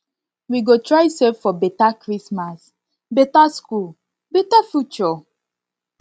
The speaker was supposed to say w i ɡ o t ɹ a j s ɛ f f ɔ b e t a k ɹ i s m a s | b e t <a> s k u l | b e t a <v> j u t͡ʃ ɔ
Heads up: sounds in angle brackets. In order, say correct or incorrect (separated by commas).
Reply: correct, incorrect